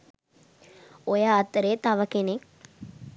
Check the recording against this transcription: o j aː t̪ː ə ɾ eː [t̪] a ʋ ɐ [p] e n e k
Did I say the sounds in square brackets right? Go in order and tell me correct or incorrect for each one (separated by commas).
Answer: correct, incorrect